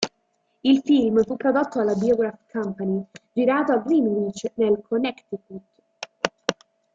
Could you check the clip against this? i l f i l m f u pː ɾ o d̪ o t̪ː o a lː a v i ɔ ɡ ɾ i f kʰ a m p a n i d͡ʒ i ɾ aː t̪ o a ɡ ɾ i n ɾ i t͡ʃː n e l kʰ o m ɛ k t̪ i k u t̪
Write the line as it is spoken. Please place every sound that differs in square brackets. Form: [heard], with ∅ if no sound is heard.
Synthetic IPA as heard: i l f i l m f u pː ɾ o d̪ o t̪ː o a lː a [b] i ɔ ɡ ɾ [a] f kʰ a m p a n i d͡ʒ i ɾ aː t̪ o a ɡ ɾ i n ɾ i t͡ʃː n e l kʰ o [n] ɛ k t̪ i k u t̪